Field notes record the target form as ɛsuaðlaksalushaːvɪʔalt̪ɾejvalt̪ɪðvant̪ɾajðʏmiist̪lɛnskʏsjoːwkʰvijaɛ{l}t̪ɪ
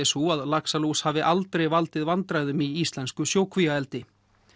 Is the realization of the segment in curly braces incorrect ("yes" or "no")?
no